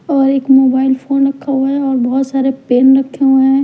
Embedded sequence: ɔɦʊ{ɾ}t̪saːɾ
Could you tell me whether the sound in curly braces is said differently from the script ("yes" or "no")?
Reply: yes